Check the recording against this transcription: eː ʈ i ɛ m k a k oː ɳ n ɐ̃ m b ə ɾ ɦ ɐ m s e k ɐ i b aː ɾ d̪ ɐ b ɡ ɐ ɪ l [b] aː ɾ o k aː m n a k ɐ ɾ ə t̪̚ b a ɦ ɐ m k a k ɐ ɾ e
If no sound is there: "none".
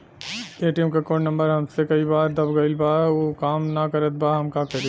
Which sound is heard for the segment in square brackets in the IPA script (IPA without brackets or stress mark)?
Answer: b